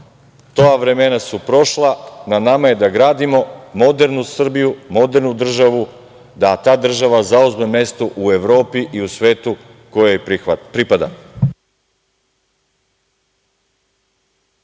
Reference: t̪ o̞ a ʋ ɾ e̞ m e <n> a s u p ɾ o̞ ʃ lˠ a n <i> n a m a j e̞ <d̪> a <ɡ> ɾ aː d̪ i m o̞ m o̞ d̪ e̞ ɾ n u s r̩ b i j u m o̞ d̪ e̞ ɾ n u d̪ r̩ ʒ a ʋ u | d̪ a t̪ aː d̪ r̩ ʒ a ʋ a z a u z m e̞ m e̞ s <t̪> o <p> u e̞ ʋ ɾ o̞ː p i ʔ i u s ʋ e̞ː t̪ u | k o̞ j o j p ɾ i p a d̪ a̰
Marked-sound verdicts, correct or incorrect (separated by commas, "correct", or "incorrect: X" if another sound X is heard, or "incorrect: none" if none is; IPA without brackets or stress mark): correct, incorrect: a, correct, correct, correct, incorrect: ʔ